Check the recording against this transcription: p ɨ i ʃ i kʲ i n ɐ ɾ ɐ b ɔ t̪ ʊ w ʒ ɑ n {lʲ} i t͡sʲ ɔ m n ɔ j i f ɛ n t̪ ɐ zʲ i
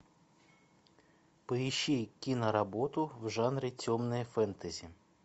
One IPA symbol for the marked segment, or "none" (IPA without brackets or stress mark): ɾʲ